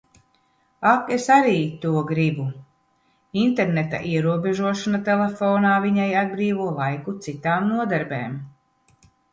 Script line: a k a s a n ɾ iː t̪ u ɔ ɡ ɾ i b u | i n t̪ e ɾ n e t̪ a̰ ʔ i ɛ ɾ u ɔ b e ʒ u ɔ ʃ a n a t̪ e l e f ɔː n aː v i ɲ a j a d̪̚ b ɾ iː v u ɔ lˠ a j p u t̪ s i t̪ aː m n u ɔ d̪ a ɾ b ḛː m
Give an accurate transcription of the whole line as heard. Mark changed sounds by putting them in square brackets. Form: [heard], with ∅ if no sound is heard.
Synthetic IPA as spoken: a k [e] s a [∅] ɾ iː t̪ u ɔ ɡ ɾ i b u | i n t̪ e ɾ n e t̪ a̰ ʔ i ɛ ɾ u ɔ b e ʒ u ɔ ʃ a n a t̪ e l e f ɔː n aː v i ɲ a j a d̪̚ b ɾ iː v u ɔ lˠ a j [k] u t̪ s i t̪ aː m n u ɔ d̪ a ɾ b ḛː m